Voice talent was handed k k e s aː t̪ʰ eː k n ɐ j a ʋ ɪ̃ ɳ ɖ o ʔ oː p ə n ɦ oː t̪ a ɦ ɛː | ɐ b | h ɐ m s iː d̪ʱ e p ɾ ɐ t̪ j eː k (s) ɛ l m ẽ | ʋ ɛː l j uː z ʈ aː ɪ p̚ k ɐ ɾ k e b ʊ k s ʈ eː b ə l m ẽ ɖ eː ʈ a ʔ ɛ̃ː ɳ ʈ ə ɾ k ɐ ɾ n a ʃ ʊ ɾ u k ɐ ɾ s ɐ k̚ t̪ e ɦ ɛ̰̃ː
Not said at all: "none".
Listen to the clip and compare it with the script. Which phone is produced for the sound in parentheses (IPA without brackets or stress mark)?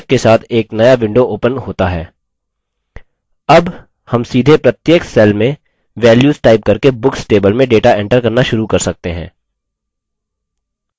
s